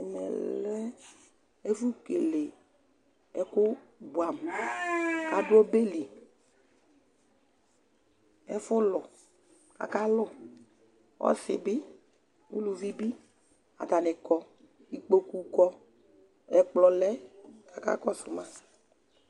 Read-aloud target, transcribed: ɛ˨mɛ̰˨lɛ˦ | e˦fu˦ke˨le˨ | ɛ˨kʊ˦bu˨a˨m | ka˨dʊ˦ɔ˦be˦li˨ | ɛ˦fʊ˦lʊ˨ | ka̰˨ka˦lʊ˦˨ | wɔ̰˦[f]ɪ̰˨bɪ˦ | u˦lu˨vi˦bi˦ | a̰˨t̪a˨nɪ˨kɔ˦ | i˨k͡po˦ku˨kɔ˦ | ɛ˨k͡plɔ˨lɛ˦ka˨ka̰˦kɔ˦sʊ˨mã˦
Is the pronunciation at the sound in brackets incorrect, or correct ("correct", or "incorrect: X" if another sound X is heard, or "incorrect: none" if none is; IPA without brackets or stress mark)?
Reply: incorrect: s